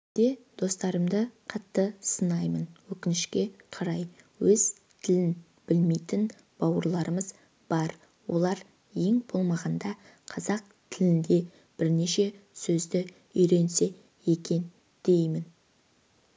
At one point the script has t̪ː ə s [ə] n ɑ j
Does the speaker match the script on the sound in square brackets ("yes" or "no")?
yes